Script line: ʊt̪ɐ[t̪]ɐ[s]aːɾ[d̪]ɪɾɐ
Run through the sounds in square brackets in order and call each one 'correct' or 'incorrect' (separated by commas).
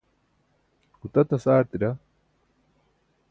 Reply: correct, correct, incorrect